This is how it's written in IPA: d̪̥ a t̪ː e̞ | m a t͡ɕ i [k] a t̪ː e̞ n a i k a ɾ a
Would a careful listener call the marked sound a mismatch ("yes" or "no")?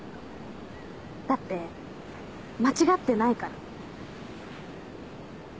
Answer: yes